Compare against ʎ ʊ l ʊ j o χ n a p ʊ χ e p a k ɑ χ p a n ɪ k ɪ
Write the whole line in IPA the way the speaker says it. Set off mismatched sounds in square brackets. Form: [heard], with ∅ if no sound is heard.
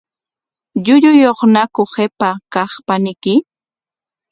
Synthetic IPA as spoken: ʎ ʊ [ʎ] ʊ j o χ n a [k] ʊ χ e p a k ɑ χ p a n ɪ k ɪ